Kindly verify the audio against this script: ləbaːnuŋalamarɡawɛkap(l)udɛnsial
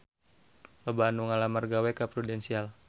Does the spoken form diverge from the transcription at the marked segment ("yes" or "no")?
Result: yes